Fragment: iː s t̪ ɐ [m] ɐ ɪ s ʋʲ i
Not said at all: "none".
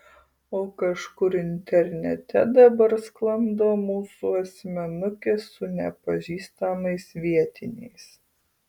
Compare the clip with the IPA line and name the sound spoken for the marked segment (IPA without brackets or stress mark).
m